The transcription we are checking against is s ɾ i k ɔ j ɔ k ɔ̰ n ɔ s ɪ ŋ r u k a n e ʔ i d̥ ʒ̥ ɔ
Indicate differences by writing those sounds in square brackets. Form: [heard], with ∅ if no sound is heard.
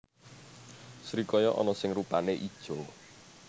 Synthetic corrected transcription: s ɾ i k ɔ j ɔ [ʔ] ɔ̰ n ɔ s ɪ ŋ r u [p] a n e ʔ i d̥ ʒ̥ ɔ